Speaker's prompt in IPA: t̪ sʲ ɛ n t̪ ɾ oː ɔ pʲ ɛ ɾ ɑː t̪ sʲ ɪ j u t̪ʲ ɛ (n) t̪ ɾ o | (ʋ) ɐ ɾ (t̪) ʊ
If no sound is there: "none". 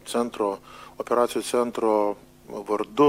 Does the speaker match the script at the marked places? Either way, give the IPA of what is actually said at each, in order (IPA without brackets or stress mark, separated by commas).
n, ʋ, d̪